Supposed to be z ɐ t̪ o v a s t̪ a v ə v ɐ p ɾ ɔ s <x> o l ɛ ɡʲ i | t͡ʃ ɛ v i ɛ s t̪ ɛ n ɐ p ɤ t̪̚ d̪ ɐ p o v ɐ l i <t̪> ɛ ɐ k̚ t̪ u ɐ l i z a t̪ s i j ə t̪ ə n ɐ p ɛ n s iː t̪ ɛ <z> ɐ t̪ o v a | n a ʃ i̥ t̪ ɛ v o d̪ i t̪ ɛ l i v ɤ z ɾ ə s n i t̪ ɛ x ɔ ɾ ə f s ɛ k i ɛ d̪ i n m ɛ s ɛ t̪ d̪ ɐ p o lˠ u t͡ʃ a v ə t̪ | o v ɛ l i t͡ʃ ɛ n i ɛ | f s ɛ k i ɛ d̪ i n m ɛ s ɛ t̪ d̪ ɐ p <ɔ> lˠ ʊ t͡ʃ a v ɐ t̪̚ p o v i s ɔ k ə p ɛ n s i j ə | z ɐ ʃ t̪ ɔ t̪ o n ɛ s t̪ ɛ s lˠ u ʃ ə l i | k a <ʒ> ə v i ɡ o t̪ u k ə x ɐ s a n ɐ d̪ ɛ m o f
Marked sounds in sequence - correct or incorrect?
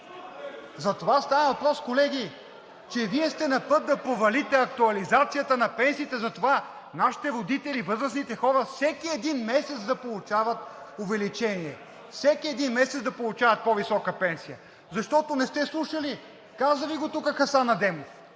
incorrect, correct, correct, incorrect, incorrect

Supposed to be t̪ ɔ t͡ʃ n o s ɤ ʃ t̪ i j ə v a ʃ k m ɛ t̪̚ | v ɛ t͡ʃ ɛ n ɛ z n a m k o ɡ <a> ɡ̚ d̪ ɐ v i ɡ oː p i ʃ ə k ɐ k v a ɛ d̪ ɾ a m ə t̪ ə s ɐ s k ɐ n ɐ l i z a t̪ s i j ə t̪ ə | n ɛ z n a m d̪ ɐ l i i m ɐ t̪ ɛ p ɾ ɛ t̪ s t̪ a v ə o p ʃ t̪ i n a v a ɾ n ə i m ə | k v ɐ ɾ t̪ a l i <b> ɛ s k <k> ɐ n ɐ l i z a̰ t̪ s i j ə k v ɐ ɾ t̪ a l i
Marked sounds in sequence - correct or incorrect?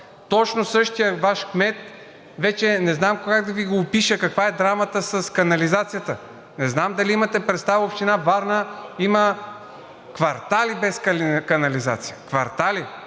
correct, correct, correct

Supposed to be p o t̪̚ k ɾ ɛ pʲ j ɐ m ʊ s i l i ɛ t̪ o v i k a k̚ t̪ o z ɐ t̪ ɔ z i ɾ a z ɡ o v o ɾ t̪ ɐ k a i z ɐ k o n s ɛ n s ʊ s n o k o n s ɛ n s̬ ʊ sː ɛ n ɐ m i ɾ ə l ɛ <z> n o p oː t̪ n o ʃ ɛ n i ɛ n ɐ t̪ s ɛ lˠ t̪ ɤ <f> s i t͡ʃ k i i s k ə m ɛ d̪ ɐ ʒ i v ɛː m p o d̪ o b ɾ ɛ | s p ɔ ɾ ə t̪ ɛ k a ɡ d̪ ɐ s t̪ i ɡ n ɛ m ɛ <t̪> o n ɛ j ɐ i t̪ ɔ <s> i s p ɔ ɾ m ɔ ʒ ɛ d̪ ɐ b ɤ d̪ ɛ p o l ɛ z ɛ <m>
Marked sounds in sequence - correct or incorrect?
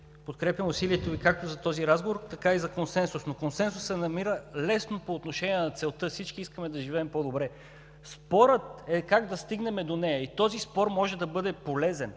incorrect, correct, incorrect, incorrect, incorrect

